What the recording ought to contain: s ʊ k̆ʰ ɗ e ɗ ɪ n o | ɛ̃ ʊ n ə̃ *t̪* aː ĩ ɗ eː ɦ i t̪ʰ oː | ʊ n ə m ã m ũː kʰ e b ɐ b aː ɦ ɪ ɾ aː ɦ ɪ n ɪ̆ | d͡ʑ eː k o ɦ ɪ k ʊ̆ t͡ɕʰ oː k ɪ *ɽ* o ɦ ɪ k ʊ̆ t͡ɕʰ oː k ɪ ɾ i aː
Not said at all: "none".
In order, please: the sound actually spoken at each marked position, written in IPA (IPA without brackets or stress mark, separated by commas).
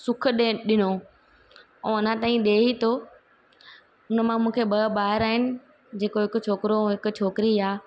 t̪, ɾ